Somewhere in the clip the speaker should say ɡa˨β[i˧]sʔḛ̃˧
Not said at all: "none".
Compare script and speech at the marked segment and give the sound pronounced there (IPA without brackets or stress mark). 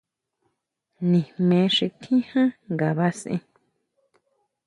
a˧